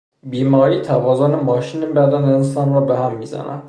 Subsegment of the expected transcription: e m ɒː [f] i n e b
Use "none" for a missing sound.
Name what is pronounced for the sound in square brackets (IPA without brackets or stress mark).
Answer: ʃ